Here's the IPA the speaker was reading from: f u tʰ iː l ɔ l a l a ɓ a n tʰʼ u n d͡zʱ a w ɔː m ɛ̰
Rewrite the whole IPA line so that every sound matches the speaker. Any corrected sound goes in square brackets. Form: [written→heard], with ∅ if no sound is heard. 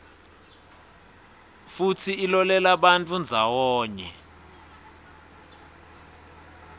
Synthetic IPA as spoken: f u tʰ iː l ɔ l [a→ɛ] l a ɓ a n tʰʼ u n d͡zʱ a w ɔː [m→ɲ] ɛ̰